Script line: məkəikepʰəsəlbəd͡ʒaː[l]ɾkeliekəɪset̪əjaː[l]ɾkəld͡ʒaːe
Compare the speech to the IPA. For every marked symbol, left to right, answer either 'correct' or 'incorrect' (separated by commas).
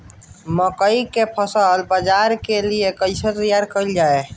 incorrect, incorrect